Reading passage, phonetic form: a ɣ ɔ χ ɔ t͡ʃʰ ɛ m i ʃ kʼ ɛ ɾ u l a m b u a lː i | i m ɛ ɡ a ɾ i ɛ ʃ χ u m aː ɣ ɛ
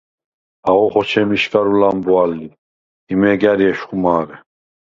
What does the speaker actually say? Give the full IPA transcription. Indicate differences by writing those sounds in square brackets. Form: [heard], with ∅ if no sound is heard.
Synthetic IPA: a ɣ ɔ χ ɔ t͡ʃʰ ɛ m i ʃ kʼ [a] ɾ u l a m b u a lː i | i m ɛ ɡ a ɾ i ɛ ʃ χ u m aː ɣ ɛ